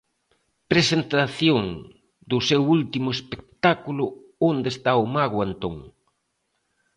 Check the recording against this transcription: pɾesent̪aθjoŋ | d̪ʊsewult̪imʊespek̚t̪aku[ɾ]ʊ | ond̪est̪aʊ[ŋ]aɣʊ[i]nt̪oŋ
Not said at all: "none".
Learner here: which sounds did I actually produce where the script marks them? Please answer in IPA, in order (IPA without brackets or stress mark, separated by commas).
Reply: l, m, a